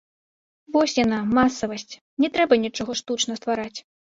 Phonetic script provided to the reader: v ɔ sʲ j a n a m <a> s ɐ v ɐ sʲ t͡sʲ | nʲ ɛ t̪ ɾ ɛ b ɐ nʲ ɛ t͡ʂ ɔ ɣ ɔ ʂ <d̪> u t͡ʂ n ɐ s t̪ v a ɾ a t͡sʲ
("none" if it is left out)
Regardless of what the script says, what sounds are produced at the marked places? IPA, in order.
a, t̪

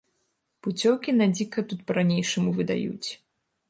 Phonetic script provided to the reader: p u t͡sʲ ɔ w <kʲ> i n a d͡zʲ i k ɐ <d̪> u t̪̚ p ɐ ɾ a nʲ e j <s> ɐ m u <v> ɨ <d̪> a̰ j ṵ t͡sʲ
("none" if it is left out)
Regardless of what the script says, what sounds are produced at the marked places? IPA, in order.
kʲ, t̪, ʂ, v, d̪

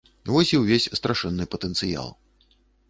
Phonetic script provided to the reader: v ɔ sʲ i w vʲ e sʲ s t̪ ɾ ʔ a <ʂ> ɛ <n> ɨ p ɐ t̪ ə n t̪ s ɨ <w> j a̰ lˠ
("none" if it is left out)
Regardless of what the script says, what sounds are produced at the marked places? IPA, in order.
ʂ, nː, none

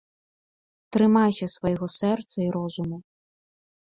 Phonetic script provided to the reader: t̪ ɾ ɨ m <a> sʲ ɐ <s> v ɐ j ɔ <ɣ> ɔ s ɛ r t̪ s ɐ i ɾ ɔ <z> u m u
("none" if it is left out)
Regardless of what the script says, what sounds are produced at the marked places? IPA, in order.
a, s, ɣ, z

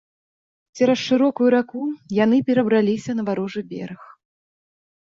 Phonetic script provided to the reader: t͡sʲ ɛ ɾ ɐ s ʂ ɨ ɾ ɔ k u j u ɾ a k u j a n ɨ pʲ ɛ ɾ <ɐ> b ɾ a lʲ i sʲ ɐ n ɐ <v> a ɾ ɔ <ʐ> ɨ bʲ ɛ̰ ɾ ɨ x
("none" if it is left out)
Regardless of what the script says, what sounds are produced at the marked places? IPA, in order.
ɐ, v, ʐ

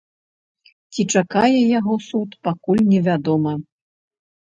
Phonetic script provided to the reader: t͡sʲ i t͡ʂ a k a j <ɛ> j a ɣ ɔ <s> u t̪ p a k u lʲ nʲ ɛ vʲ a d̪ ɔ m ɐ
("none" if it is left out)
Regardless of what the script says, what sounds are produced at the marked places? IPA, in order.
ɛ, s

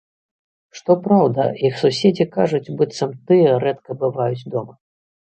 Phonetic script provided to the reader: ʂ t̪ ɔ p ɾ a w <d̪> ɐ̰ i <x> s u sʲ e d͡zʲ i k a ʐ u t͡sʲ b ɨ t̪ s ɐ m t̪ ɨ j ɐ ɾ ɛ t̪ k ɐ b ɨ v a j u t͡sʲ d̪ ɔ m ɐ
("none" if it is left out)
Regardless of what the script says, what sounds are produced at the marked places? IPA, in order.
d̪, x

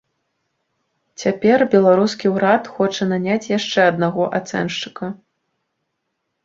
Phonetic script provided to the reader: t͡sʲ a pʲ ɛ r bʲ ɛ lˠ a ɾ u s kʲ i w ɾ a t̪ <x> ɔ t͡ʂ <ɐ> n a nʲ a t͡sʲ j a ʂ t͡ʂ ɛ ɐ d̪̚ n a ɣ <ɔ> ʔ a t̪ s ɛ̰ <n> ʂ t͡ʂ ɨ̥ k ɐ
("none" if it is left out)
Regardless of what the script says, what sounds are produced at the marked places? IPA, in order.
x, ɐ, ɔ, n

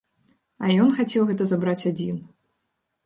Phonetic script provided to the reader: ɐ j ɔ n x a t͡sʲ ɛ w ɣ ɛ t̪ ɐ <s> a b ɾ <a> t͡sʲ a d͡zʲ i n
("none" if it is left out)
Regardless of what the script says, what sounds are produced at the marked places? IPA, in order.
z, a

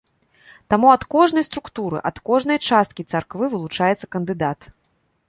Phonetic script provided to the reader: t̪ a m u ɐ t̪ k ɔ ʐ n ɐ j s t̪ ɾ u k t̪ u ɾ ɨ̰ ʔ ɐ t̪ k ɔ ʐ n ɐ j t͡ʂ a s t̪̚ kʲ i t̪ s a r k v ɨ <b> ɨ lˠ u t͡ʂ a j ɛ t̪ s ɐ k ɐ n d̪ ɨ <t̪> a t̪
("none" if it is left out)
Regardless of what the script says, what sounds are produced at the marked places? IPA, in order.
v, d̪

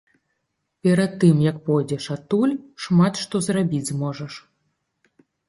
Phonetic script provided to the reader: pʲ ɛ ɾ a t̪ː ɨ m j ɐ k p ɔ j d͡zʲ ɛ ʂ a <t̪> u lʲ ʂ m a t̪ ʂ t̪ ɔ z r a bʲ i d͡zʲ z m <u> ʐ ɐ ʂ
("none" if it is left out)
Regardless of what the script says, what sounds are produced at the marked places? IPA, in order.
t̪, ɔ

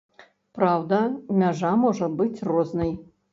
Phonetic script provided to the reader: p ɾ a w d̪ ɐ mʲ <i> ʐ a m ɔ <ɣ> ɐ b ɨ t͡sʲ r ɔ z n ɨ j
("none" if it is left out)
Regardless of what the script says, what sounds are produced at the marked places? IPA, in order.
a, ʐ

